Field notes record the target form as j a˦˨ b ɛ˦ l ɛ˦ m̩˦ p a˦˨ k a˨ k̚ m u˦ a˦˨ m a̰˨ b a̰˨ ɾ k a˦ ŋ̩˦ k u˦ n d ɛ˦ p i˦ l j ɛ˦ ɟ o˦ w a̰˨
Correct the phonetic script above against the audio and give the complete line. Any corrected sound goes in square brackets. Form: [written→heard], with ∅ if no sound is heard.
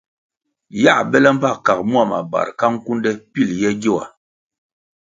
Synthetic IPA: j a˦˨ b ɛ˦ l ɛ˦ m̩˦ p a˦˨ k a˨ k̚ m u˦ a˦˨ m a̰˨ b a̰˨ ɾ k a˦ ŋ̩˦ k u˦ n d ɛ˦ p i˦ l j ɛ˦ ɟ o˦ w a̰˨